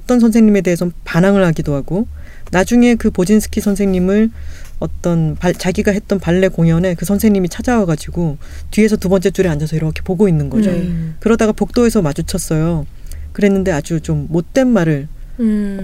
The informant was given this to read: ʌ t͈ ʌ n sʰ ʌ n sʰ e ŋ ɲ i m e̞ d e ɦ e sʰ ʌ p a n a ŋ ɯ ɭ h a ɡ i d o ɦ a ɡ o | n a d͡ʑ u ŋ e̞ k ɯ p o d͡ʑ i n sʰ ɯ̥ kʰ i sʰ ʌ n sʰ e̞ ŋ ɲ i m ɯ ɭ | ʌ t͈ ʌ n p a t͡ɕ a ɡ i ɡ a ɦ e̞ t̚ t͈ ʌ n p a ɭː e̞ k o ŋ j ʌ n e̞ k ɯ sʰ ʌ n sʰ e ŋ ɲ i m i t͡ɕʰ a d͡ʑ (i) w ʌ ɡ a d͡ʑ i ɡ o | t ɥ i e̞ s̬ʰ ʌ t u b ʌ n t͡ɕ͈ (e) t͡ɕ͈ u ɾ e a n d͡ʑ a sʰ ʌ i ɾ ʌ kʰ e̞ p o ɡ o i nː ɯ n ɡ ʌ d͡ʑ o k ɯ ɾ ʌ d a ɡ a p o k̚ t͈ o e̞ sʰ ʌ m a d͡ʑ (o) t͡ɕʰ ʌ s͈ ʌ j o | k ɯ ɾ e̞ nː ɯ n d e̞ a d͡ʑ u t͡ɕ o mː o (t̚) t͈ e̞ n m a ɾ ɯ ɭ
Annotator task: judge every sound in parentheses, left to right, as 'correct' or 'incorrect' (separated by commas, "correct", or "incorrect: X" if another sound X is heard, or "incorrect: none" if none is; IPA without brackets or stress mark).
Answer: incorrect: a, correct, incorrect: u, correct